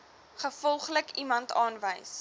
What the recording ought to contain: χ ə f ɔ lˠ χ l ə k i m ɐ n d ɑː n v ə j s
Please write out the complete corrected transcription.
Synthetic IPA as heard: χ ə f ɔ lˠ χ l ə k i m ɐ n t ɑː n v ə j s